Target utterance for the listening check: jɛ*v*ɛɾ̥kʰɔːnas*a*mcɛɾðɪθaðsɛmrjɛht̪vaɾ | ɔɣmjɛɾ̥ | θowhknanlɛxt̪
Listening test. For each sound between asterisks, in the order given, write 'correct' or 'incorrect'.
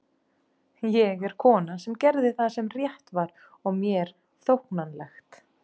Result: incorrect, incorrect

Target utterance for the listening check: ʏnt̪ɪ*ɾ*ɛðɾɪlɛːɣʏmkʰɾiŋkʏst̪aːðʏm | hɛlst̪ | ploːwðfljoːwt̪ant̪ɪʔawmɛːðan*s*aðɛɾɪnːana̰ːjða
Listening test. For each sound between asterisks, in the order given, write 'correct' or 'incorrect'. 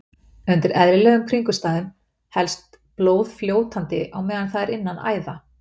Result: correct, incorrect

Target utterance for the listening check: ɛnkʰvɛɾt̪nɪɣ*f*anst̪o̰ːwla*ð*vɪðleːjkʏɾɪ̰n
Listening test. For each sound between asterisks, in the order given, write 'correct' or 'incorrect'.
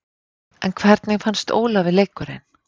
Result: correct, incorrect

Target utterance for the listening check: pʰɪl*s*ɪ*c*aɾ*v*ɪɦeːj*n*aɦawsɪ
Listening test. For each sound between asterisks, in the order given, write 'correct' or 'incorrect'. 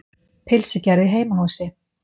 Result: correct, correct, incorrect, incorrect

